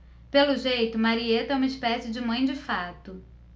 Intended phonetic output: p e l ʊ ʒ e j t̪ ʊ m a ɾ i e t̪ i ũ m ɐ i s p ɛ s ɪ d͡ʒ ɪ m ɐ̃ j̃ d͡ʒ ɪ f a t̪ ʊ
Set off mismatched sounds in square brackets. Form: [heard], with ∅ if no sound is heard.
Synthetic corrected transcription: p e l ʊ ʒ e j t̪ ʊ m a ɾ i e t̪ [ɛ] ũ m ɐ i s p ɛ s ɪ d͡ʒ ɪ m ɐ̃ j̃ d͡ʒ ɪ f a t̪ ʊ

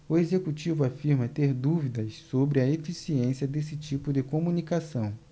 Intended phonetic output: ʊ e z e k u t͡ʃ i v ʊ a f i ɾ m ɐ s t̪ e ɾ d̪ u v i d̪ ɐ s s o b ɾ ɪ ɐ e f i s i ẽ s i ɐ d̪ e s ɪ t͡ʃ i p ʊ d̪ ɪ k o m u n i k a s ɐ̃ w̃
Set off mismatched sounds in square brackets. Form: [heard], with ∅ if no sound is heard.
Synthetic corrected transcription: ʊ e z e k u t͡ʃ i v ʊ a f i ɾ m ɐ [∅] t̪ e ɾ d̪ u v i d̪ ɐ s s o b ɾ ɪ ɐ e f i s i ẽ s i ɐ d̪ e s ɪ t͡ʃ i p ʊ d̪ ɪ k o m u n i k a s ɐ̃ w̃

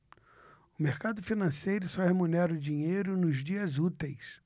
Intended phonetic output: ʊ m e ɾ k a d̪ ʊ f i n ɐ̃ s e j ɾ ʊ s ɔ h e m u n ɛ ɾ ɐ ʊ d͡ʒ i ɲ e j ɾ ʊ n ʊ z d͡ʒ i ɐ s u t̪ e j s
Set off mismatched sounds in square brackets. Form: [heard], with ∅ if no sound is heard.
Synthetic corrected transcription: ʊ m e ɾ k a d̪ ʊ f i n ɐ̃ s e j ɾ ʊ s ɔ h e m u n ɛ ɾ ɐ ʊ d͡ʒ i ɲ e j ɾ ʊ n ʊ z d͡ʒ i ɐ [z] u t̪ e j s

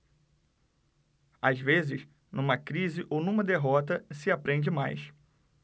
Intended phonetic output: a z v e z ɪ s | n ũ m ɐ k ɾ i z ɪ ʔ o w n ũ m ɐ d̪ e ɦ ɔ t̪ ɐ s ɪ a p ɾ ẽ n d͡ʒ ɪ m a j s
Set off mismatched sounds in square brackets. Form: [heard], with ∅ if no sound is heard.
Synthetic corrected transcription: a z v e z ɪ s | n ũ m ɐ k ɾ i z ɪ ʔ o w n ũ m ɐ d̪ e ɦ ɔ t̪ ɐ s ɪ a p ɾ ẽ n d͡ʒ ɪ m a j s

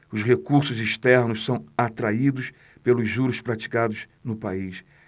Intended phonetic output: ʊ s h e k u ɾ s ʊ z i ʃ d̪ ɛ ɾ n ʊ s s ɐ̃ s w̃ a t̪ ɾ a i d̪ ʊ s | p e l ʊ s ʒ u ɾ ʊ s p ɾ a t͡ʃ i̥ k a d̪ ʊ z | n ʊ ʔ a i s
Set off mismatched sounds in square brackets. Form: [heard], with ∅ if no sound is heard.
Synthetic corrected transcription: ʊ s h e k u ɾ s ʊ z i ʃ [t̪] ɛ ɾ n ʊ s s ɐ̃ [∅] w̃ a t̪ ɾ a i d̪ ʊ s | p e l ʊ [z] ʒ u ɾ ʊ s p ɾ a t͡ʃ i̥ k a d̪ ʊ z | n ʊ [p] a i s

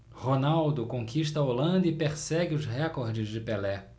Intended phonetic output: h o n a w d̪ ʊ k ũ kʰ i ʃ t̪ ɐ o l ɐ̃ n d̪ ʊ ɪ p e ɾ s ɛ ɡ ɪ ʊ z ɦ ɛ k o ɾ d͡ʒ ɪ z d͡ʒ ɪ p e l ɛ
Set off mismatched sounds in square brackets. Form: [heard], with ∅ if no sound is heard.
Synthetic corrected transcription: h o n a w d̪ ʊ k [õ] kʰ i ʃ t̪ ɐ o l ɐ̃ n d̪ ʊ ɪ p e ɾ s ɛ ɡ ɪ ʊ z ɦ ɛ k o ɾ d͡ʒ ɪ z d͡ʒ ɪ p e l ɛ

